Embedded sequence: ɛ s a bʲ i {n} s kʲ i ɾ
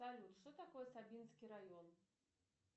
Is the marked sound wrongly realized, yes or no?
no